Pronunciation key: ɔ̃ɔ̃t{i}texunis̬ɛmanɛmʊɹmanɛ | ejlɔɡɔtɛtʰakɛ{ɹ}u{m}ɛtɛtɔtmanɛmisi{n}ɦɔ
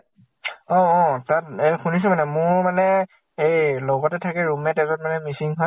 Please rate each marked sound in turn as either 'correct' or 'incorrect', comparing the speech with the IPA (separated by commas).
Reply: incorrect, correct, correct, incorrect